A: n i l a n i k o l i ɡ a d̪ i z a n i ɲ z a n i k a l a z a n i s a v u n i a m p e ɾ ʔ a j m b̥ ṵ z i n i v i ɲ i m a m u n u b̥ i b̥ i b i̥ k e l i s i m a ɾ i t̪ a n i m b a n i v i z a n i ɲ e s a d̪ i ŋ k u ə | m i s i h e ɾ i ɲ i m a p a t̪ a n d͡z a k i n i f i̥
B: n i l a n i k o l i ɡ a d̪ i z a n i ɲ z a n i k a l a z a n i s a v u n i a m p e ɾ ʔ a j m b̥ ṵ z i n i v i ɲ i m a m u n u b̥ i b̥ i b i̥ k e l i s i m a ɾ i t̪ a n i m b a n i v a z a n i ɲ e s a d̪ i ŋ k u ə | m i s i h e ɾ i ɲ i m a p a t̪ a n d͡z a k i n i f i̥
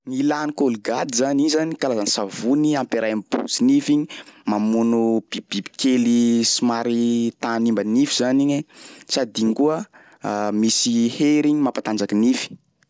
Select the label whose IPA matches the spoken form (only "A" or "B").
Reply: A